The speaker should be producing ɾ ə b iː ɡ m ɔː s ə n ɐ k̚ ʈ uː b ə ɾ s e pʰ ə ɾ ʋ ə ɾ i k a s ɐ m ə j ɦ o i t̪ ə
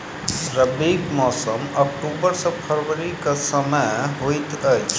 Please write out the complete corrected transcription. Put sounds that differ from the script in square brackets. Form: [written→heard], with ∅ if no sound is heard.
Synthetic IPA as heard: ɾ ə b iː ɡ m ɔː s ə [n→m] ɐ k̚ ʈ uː b ə ɾ s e pʰ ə ɾ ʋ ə ɾ i k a s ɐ m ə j ɦ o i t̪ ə